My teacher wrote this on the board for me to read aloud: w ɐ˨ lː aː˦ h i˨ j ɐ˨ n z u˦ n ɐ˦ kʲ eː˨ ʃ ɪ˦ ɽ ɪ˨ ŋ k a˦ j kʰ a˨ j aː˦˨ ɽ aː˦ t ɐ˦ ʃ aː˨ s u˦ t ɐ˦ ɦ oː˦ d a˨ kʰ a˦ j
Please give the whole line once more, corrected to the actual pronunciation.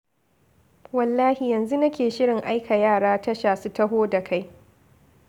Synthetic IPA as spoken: w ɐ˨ lː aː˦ h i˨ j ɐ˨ n z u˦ n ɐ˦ kʲ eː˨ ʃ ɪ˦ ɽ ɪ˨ ŋ ʔ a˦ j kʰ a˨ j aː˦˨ ɽ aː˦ t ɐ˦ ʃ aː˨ s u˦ t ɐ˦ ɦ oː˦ d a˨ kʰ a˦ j